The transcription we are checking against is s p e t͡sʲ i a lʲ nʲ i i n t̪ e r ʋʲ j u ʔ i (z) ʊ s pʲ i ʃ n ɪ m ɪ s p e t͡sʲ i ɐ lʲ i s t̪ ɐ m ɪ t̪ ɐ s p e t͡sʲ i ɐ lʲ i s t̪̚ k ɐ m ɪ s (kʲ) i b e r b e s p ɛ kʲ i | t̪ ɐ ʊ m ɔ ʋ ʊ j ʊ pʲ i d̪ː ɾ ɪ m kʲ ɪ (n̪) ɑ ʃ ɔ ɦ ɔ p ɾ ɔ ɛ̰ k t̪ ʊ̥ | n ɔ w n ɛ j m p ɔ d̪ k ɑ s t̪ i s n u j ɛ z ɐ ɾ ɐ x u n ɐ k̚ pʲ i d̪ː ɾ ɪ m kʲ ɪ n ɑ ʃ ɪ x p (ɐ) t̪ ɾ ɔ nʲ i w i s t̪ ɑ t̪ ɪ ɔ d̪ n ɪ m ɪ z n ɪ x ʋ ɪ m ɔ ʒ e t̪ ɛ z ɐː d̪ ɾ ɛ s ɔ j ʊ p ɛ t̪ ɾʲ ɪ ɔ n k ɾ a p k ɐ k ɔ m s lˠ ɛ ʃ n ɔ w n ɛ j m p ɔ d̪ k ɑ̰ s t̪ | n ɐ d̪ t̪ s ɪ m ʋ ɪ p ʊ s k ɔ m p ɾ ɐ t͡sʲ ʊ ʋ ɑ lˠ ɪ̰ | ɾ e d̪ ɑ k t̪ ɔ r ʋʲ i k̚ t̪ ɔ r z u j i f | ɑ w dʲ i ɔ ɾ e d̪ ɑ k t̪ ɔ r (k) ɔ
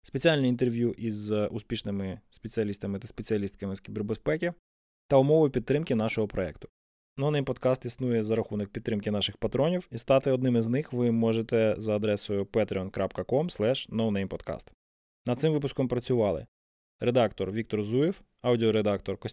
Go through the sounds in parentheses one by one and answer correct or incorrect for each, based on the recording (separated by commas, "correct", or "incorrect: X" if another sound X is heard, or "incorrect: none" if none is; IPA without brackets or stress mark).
correct, correct, correct, correct, correct